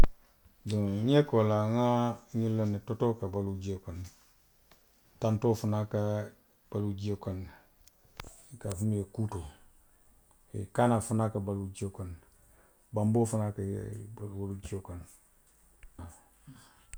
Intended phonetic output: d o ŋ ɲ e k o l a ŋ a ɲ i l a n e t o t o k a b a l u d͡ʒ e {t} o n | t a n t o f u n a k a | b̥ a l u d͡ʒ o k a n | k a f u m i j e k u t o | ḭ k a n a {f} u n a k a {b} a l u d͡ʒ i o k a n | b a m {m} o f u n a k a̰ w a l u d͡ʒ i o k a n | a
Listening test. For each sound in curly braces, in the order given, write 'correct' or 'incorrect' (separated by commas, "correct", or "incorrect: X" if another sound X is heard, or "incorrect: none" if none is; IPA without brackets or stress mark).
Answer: incorrect: k, correct, correct, incorrect: b